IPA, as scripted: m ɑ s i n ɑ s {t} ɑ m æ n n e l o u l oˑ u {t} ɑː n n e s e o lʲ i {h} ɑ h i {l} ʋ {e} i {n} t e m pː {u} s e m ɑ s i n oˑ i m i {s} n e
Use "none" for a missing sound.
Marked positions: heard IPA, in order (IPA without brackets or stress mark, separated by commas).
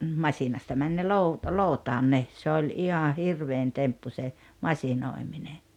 t, t, h, r, e, n, u, none